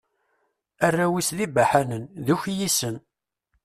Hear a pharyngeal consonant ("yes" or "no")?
yes